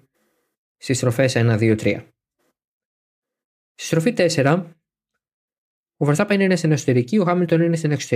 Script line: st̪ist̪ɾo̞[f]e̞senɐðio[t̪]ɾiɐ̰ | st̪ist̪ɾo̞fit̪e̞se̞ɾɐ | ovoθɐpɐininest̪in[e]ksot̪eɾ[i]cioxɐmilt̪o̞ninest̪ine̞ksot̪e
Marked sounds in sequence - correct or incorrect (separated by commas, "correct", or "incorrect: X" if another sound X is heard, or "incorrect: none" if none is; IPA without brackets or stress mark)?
correct, correct, correct, correct